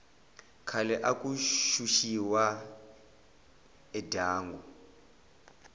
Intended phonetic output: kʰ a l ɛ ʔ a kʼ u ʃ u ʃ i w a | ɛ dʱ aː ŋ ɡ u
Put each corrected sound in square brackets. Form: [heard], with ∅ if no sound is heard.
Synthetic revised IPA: kʰ a l ɛ ʔ a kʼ u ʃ u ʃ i w a | ɛ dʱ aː ŋ ɡ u